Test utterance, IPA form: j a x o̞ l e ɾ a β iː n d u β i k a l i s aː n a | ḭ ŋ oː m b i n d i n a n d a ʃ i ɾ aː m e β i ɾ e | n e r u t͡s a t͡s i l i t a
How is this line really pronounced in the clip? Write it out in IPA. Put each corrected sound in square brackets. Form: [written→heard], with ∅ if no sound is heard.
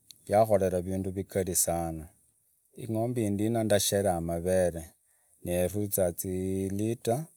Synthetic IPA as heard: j a x o̞ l e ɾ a β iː n d u β i k a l i s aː n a | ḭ ŋ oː m b i n d i n a n d a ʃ [i→e] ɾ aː m [e→a] β [i→e] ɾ e | n e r u t͡s a t͡s i l i t a